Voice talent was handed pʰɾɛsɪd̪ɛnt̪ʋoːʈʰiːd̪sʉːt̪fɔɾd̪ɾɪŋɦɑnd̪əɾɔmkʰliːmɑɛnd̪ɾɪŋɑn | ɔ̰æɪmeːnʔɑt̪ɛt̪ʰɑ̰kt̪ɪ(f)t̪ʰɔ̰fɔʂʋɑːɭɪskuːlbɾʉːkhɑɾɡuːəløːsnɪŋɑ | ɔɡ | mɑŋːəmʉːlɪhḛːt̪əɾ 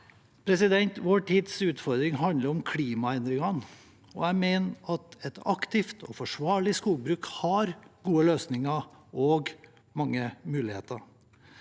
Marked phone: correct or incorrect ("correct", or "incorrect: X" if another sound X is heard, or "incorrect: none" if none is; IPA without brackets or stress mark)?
correct